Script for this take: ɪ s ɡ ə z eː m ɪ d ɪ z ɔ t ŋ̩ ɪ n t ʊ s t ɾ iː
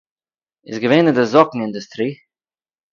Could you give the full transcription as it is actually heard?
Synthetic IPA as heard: ɪ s ɡ ə v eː n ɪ d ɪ z ɔ k ŋ̩ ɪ n d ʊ s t ɾ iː